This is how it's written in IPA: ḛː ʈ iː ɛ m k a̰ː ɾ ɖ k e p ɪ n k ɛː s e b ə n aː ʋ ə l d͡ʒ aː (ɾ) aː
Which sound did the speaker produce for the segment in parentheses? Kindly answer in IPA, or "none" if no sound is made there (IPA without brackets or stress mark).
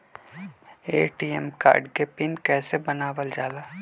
l